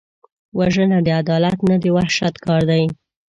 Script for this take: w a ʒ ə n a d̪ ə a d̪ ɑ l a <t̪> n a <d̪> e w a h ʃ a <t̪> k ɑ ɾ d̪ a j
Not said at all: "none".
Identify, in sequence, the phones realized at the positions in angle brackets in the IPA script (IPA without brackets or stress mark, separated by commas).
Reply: t̪, d̪, t̪